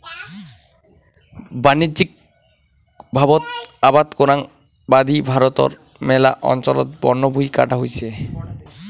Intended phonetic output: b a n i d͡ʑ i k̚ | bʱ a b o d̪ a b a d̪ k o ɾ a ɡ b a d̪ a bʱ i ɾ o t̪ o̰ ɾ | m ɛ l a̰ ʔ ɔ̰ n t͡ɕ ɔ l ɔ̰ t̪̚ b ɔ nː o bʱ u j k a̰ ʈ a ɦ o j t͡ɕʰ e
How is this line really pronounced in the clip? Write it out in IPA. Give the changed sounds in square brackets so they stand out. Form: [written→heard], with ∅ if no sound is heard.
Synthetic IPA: b a n i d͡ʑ i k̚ | bʱ a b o [d̪→t̪] a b a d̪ k o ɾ a [ɡ→ŋ] b a d̪ [a→i] bʱ [i→a] ɾ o t̪ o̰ ɾ | m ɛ l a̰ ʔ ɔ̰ n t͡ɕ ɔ l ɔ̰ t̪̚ b ɔ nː o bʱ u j k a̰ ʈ a ɦ o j t͡ɕʰ e